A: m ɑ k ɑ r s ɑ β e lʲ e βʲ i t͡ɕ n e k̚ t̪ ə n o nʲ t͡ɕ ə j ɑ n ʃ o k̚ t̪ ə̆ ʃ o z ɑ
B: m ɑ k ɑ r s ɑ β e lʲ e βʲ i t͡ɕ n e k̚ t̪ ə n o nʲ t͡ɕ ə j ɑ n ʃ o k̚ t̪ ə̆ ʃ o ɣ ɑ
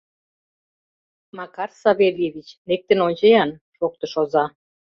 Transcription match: A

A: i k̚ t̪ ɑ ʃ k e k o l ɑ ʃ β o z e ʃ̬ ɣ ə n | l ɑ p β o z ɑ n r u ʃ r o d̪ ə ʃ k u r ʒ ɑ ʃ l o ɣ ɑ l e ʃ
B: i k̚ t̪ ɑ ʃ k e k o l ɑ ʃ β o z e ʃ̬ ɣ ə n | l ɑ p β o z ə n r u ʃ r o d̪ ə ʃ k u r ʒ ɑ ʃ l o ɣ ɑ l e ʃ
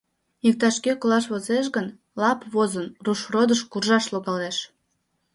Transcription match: B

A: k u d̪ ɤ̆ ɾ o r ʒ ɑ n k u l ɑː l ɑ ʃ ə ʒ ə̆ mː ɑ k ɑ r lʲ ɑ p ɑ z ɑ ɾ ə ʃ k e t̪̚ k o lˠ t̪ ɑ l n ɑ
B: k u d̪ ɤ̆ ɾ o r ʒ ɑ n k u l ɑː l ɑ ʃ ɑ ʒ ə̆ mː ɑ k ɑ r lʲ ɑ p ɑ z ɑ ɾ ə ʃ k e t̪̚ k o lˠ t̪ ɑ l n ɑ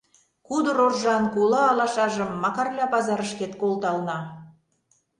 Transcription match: B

